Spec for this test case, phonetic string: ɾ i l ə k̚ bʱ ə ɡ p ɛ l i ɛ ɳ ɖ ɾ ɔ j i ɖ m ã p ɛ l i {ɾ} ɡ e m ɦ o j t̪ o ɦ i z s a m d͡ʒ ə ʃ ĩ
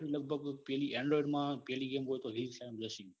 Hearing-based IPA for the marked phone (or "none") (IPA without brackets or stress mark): none